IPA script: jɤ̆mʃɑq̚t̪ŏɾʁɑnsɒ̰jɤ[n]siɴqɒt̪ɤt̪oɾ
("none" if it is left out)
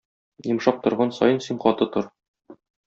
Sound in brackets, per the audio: n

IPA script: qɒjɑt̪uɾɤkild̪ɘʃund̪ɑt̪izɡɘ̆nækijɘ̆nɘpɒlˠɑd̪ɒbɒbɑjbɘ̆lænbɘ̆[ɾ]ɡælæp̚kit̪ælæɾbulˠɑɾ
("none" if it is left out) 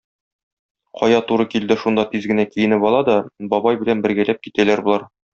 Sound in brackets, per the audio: ɾ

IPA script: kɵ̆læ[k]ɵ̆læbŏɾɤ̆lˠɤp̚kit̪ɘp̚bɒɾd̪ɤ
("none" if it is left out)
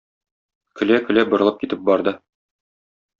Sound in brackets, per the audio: k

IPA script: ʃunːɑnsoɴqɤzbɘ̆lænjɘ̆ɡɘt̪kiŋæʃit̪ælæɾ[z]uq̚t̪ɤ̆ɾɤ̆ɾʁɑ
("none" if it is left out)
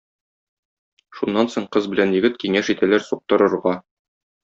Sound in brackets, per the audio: s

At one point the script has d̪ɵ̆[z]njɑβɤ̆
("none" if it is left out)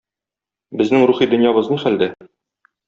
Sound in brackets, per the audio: none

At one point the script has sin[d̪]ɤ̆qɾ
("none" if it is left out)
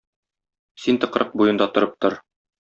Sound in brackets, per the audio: t̪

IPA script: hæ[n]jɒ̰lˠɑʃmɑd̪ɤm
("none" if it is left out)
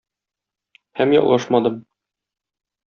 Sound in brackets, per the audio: m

